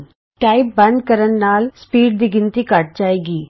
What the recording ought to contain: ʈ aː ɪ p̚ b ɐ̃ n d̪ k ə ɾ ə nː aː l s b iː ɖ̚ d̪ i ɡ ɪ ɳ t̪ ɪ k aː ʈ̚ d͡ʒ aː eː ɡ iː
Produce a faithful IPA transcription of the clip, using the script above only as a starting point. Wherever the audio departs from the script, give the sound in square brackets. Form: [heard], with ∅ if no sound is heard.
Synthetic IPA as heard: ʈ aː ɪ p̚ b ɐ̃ n d̪ k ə ɾ ə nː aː l s [p] iː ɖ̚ d̪ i ɡ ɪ [n] t̪ [i] k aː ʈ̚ d͡ʒ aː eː ɡ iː